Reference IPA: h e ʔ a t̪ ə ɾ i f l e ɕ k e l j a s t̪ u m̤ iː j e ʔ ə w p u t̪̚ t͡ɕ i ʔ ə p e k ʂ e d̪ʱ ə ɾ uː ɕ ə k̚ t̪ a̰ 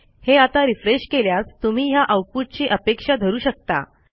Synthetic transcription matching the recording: h e a t̪ a ɾ i f ɾ e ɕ k e l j a s t̪ u m̤ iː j a ʔ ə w p u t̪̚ t͡ɕ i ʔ ə p e k ʂ a d̪ʱ ə ɾ uː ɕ ə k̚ t̪ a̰